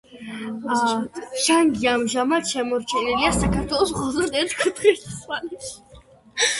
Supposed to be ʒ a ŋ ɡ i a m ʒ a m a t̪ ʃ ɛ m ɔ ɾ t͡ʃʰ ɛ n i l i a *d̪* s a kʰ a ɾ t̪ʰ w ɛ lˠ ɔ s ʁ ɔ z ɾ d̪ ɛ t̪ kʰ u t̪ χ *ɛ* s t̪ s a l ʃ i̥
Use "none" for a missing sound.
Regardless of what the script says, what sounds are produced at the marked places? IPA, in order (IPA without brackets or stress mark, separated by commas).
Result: none, i